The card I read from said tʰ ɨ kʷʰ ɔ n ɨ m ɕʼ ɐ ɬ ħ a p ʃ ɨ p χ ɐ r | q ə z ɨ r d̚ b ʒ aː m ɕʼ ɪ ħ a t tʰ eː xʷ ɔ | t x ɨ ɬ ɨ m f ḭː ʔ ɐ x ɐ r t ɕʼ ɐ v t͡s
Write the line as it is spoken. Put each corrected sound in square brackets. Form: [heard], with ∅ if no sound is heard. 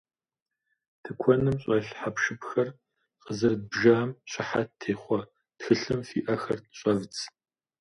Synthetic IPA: tʰ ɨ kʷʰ ɔ n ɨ m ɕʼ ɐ ɬ ħ a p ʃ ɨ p [x] ɐ r | q ə z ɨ r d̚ b ʒ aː m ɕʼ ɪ ħ a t tʰ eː [χʷ] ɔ | t x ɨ ɬ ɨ m f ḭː ʔ ɐ x ɐ r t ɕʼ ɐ v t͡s